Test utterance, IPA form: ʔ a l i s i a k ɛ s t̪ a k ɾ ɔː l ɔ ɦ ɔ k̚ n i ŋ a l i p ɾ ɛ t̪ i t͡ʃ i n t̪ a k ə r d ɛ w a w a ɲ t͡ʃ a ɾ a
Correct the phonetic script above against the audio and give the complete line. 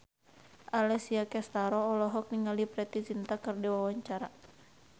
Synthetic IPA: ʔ a l ɛ s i a k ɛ s t̪ a ɾ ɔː l ɔ ɦ ɔ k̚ n i ŋ a l i p ɾ ɛ t̪ i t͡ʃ i n t̪ a k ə r d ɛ w a w a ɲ t͡ʃ a ɾ a